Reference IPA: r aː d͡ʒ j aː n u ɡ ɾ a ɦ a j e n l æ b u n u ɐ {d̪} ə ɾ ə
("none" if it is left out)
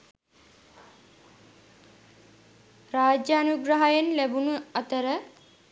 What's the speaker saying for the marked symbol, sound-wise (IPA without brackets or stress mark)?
t̪